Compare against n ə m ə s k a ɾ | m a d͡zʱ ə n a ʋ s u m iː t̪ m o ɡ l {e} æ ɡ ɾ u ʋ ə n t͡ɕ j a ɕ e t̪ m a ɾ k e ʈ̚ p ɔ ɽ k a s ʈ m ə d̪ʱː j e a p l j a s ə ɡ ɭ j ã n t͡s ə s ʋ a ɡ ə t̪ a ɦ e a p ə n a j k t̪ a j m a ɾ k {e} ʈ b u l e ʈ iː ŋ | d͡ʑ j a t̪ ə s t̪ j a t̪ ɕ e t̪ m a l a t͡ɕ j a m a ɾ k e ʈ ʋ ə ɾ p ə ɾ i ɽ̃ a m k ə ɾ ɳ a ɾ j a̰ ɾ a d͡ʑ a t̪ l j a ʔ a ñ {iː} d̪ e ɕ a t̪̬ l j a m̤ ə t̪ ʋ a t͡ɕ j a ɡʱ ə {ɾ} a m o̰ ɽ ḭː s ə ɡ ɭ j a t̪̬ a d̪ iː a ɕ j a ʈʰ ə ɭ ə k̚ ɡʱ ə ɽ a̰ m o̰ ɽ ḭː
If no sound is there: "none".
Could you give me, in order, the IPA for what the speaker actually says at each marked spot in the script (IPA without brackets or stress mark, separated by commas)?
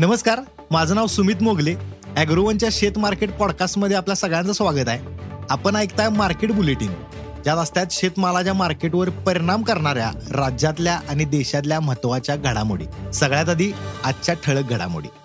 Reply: e, e, i, ɽ